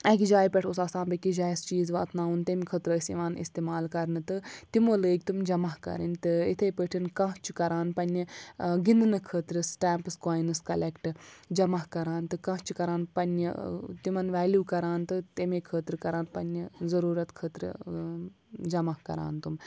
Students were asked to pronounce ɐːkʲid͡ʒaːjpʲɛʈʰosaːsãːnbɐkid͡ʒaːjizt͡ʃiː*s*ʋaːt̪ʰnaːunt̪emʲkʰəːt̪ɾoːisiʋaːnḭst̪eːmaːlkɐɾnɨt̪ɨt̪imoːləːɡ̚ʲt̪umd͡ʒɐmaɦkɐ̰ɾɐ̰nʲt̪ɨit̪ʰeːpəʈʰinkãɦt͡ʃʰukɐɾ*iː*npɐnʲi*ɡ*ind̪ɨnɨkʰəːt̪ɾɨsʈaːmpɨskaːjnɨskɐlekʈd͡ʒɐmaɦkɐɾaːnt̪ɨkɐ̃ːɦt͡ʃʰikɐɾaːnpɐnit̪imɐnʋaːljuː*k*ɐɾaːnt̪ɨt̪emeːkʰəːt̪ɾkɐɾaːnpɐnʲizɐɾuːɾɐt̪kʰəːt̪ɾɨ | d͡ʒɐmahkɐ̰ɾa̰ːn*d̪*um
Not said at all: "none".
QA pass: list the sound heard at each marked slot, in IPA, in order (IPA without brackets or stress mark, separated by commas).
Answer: z, aː, ɡ, k, t̪